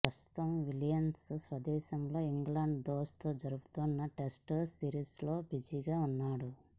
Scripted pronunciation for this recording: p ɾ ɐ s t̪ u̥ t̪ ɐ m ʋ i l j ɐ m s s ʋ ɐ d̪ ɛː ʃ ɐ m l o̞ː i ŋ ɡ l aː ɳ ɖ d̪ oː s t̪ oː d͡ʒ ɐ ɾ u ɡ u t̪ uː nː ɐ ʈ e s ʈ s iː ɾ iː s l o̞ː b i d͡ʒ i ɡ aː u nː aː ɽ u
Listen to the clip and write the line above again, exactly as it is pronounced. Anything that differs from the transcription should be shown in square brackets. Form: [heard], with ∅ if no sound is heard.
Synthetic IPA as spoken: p ɾ ɐ s t̪ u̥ t̪ ɐ m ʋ i l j ɐ m s s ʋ ɐ d̪ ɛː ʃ ɐ m l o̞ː i ŋ ɡ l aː ɳ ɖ d̪ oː s t̪ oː d͡ʒ ɐ ɾ u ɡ u t̪ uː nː ɐ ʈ e s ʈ s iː ɾ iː s l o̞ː b i d͡ʒ i ɡ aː u nː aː ɽ u

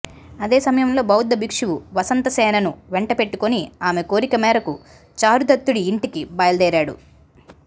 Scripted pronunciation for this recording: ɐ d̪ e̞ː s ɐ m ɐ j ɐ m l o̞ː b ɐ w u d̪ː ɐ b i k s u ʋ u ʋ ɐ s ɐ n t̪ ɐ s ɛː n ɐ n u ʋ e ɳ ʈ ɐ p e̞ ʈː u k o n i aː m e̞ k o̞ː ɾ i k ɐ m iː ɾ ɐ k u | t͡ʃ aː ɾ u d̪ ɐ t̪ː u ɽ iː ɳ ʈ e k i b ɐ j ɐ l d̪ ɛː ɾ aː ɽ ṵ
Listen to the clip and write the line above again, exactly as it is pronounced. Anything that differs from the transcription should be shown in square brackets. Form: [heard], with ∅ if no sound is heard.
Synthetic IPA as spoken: ɐ d̪ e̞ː s ɐ m ɐ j ɐ m l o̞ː b ɐ w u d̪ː ɐ b i k [ʂ] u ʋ u ʋ ɐ s ɐ n t̪ ɐ s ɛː n ɐ n u ʋ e ɳ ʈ ɐ p e̞ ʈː u k o n i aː m e̞ k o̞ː ɾ i k ɐ m [ɛː] ɾ ɐ k u | t͡ʃ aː ɾ u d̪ ɐ t̪ː u ɽ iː ɳ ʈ [i] k i b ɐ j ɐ l d̪ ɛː ɾ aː ɽ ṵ

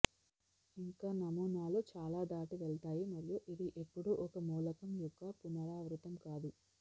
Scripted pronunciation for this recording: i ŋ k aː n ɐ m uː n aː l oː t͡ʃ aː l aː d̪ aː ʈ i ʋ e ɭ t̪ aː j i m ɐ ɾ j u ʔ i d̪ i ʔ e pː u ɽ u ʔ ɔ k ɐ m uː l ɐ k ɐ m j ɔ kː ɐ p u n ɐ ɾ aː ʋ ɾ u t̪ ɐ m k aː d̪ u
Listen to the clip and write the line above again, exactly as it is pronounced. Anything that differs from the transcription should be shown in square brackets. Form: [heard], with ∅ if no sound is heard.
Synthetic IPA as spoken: i ŋ k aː n ɐ m uː n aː l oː t͡ʃ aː l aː d̪ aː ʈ i ʋ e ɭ t̪ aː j i m ɐ ɾ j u ʔ i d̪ i ʔ e pː u ɽ u ʔ ɔ k ɐ m uː l ɐ k ɐ m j ɔ kː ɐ p u n ɐ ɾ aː ʋ ɾ u t̪ ɐ m k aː d̪ u

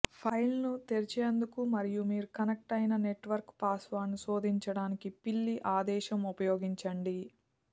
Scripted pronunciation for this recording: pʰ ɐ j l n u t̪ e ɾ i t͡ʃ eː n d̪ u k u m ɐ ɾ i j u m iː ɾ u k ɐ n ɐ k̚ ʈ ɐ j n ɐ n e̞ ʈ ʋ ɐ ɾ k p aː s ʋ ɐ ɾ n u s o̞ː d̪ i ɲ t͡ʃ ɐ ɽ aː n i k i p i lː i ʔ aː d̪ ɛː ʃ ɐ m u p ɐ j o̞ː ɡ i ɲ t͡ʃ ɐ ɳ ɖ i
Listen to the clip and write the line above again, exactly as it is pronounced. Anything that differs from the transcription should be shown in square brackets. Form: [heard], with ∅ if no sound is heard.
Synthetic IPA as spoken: pʰ ɐ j l n u t̪ e ɾ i t͡ʃ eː n d̪ u k u m ɐ ɾ i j u m iː ɾ u k ɐ n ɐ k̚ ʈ ɐ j n ɐ n e̞ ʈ ʋ ɐ ɾ k p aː s ʋ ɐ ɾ n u s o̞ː d̪ i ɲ t͡ʃ ɐ ɽ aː n i k i p i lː i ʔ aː d̪ ɛː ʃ ɐ m u p ɐ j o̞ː ɡ i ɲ t͡ʃ ɐ ɳ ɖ i

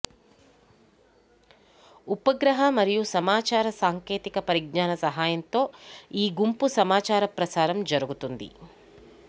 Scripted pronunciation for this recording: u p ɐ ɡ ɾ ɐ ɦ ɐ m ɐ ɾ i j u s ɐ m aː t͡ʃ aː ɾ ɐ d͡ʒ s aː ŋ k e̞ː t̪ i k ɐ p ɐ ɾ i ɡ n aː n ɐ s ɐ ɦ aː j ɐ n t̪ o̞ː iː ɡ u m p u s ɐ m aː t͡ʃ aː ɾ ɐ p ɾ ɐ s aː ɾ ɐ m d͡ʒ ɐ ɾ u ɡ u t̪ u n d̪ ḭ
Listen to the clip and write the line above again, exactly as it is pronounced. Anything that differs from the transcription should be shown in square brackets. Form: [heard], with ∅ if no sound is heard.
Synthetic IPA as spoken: u p ɐ ɡ ɾ ɐ ɦ ɐ m ɐ ɾ i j u s ɐ m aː t͡ʃ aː ɾ ɐ [∅] s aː ŋ k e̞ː t̪ i k ɐ p ɐ ɾ i ɡ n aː n ɐ s ɐ ɦ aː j ɐ n t̪ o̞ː iː ɡ u m p u s ɐ m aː t͡ʃ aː ɾ ɐ p ɾ ɐ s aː ɾ ɐ m d͡ʒ ɐ ɾ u ɡ u t̪ u n d̪ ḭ

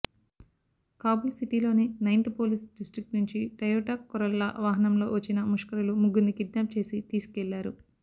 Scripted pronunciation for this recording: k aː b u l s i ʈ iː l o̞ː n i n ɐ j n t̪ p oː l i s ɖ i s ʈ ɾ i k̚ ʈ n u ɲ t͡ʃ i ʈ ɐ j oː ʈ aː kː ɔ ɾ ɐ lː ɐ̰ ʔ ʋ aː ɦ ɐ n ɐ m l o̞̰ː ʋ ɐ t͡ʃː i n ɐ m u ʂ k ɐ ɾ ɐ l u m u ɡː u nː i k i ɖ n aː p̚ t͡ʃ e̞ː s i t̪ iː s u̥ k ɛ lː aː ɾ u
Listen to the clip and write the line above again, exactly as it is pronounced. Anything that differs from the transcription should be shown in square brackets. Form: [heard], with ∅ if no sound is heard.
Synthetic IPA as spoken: k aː b u l s i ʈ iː l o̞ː n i n ɐ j n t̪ p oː l i s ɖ i s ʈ ɾ i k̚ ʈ n u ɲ t͡ʃ i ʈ ɐ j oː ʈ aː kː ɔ ɾ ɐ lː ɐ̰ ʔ ʋ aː ɦ ɐ n ɐ m l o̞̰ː ʋ ɐ t͡ʃː i n ɐ m u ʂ k ɐ ɾ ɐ l u m u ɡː u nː i k i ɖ n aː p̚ t͡ʃ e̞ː s i t̪ iː s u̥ k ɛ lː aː ɾ u

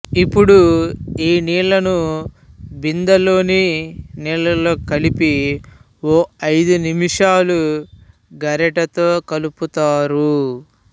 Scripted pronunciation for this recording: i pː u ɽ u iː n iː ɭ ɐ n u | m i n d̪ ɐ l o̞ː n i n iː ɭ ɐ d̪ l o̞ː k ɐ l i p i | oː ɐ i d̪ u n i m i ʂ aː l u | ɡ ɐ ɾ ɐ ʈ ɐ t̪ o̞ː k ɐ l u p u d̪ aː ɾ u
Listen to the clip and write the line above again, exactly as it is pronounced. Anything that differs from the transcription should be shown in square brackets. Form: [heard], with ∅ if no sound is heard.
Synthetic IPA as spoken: i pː u ɽ u iː n iː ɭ ɐ n u | [b] i n d̪ ɐ l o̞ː n i n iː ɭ ɐ [∅] l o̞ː k ɐ l i p i | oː ɐ [j] d̪ u n i m i ʂ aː l u | ɡ ɐ ɾ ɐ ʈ ɐ t̪ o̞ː k ɐ l u p u [t̪] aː ɾ u

